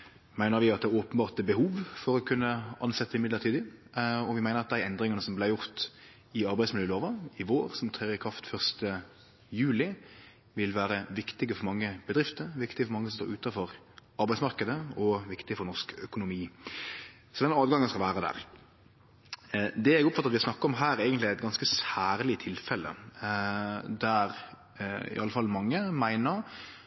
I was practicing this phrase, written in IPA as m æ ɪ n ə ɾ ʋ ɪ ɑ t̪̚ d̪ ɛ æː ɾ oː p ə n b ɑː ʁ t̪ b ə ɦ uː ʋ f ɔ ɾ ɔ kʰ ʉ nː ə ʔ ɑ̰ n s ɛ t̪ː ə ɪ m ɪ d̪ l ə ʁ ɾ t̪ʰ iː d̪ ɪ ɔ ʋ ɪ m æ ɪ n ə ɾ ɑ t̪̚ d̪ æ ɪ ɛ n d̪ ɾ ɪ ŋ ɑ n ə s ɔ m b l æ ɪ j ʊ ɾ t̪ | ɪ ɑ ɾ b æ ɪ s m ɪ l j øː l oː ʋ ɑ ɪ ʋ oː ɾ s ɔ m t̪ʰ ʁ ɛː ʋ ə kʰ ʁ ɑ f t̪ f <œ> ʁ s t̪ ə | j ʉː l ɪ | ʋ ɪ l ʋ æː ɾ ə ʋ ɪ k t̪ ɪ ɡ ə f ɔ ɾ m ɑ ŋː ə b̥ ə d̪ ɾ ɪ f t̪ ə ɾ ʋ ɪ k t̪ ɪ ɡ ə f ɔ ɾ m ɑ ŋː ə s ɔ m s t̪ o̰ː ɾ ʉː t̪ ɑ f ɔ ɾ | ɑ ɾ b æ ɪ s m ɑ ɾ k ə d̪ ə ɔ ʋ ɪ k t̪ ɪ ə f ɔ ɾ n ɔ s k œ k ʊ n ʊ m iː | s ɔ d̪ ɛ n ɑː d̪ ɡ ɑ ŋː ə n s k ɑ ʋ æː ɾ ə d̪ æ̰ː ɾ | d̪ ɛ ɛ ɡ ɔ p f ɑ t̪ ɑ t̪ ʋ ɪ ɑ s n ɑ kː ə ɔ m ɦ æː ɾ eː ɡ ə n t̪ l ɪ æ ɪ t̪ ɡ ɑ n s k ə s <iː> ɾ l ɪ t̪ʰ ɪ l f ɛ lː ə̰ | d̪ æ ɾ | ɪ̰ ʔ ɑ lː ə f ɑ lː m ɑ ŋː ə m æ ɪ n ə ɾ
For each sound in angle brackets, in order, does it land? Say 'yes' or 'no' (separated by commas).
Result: yes, no